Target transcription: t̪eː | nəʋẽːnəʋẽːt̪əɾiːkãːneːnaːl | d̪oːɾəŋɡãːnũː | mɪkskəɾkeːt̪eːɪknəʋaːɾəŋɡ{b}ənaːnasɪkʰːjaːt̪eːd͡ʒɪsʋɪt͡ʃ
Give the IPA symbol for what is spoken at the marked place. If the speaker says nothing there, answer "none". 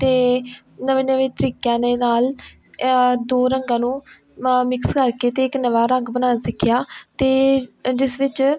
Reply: b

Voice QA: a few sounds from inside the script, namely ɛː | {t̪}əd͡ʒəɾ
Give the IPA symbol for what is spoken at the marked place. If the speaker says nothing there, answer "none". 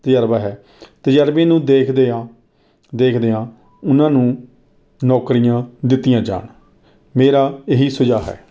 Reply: t̪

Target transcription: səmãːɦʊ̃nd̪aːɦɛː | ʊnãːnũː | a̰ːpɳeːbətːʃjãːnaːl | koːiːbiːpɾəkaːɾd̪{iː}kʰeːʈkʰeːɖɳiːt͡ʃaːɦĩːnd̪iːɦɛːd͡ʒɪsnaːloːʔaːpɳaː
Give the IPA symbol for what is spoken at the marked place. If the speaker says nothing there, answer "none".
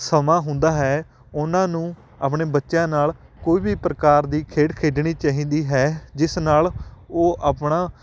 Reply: iː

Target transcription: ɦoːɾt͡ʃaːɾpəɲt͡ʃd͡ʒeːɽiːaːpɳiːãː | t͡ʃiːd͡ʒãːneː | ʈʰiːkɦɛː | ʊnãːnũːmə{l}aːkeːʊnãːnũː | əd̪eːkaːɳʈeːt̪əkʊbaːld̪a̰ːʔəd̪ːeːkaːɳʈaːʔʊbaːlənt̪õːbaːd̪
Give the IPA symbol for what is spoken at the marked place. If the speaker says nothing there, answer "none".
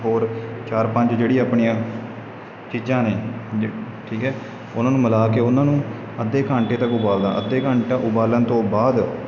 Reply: l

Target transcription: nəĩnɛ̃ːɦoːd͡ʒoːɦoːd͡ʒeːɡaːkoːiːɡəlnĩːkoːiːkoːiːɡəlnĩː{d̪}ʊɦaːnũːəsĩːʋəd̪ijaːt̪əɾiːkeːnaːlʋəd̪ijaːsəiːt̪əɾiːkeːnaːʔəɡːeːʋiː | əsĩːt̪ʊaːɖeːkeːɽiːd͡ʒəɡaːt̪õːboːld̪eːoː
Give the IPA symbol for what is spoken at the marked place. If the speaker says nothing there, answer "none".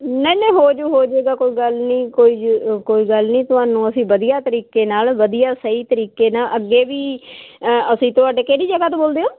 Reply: t̪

